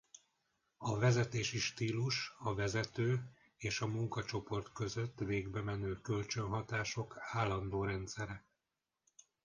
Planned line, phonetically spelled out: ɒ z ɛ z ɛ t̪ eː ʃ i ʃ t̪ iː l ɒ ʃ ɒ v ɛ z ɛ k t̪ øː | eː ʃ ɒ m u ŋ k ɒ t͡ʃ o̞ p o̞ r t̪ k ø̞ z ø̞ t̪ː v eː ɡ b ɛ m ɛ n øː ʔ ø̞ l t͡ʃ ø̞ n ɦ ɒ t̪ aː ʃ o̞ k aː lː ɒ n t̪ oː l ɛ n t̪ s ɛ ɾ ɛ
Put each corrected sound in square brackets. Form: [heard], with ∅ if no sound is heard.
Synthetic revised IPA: ɒ [v] ɛ z ɛ t̪ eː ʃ i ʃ t̪ iː l [u] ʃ ɒ v ɛ z ɛ [∅] t̪ øː | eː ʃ ɒ m u ŋ k ɒ t͡ʃ o̞ p o̞ r t̪ k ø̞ z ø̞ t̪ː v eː ɡ b ɛ m ɛ n øː [k] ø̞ l t͡ʃ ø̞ n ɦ ɒ t̪ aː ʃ o̞ k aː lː ɒ n [d̪] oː [ɾ] ɛ n t̪ s ɛ ɾ ɛ

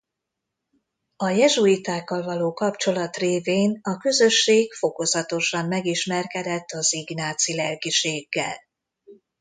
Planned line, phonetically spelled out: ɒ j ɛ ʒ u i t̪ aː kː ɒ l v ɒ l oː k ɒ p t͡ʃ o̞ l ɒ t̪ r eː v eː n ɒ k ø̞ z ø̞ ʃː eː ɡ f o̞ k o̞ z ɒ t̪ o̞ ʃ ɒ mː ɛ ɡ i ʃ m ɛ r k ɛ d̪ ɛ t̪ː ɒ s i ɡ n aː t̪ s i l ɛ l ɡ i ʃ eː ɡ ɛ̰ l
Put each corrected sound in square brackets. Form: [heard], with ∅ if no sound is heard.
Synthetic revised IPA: ɒ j ɛ ʒ u i t̪ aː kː ɒ l v ɒ l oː k ɒ p t͡ʃ o̞ l ɒ t̪ r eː v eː n ɒ k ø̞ z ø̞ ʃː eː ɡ f o̞ k o̞ z ɒ t̪ o̞ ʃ ɒ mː ɛ ɡ i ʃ m ɛ r k ɛ d̪ ɛ t̪ː ɒ [z] i ɡ n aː t̪ s i l ɛ l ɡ i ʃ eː [ɡː] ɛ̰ l

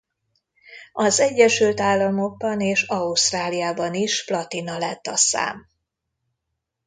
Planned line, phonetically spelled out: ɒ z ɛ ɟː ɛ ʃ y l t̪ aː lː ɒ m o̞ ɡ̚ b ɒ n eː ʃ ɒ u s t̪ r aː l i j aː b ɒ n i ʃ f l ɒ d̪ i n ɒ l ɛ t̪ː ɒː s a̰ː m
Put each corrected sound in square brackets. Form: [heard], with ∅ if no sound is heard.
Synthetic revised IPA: ɒ z ɛ ɟː ɛ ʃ y l t̪ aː lː ɒ m o̞ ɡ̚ b ɒ n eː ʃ ɒ u s t̪ r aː l i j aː b ɒ n i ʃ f l ɒ [t̪] i n ɒ l ɛ t̪ː [ɒ] s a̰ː m

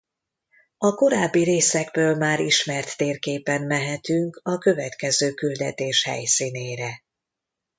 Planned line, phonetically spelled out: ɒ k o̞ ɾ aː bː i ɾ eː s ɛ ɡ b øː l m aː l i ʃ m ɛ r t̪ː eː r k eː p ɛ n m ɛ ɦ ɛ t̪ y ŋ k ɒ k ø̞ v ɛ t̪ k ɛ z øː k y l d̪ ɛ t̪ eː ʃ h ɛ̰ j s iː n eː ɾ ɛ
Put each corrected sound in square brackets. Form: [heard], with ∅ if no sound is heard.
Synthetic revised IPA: ɒ k o̞ ɾ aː bː i ɾ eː s ɛ ɡ b øː l m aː [ɾ] i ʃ m ɛ r t̪ː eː r k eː p ɛ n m ɛ ɦ ɛ t̪ y ŋ k ɒ k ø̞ v ɛ t̪ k ɛ z øː k y l d̪ ɛ t̪ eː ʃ h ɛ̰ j s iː n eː ɾ ɛ

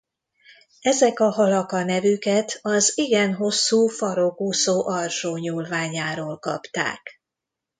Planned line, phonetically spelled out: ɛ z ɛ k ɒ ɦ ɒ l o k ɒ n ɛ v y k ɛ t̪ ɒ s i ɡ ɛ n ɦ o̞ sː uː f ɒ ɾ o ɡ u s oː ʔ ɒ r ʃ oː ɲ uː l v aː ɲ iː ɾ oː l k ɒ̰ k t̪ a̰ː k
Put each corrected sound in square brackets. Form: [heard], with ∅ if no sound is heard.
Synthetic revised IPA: ɛ z ɛ k ɒ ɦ ɒ l [ɒ] k ɒ n ɛ v y k ɛ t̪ ɒ [z] i ɡ ɛ n ɦ o̞ sː uː f ɒ ɾ o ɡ u s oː ʔ ɒ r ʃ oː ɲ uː l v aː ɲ [aː] ɾ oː l k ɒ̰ [p] t̪ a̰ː k

